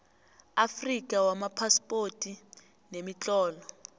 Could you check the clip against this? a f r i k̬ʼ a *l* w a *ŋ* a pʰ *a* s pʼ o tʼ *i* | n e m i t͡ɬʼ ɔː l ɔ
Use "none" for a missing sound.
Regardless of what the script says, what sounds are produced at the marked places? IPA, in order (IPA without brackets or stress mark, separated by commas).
none, m, a, i